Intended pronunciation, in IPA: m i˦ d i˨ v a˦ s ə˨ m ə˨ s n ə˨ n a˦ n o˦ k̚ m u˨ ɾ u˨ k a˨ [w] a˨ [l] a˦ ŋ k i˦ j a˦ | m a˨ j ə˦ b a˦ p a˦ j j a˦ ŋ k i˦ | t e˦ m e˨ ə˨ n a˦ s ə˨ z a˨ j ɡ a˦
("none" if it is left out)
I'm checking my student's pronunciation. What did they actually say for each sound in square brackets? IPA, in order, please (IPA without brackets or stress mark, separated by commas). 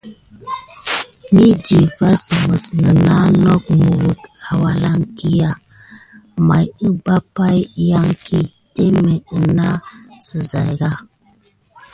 w, l